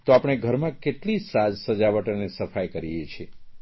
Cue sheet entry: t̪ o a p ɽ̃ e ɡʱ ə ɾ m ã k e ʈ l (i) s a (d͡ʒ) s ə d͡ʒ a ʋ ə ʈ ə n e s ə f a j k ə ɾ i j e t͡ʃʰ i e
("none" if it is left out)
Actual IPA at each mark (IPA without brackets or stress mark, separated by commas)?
i, d͡ʒ